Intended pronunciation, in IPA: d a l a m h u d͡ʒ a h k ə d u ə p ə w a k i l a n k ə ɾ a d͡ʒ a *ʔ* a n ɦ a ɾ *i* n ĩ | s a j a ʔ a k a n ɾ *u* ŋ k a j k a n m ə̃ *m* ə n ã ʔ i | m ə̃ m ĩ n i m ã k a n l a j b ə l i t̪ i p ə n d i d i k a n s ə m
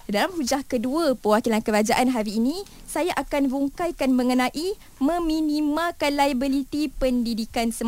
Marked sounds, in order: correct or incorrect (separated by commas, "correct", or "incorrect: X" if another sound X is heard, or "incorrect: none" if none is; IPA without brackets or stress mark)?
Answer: correct, incorrect: iː, correct, incorrect: ŋ